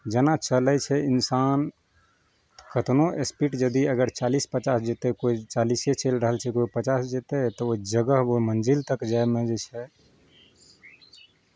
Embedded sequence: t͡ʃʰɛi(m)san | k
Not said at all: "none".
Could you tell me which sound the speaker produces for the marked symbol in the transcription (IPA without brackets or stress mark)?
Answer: n